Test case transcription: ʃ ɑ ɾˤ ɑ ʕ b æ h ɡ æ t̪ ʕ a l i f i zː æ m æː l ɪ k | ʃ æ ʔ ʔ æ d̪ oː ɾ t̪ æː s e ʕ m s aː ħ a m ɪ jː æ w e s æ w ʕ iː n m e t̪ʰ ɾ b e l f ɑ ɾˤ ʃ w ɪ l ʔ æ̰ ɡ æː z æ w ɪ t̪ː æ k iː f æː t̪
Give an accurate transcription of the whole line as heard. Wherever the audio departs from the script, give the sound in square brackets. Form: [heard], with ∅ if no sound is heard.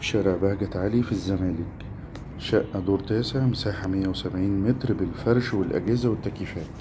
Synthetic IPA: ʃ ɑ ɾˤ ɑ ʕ b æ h ɡ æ t̪ ʕ a l i f i zː æ m æː l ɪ k | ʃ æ ʔ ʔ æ d̪ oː ɾ t̪ æː s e ʕ m s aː ħ a m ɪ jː æ w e s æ [b] ʕ iː n m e [t̪] ɾ b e l f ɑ ɾˤ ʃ w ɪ l ʔ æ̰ ɡ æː z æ w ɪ t̪ː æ k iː f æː t̪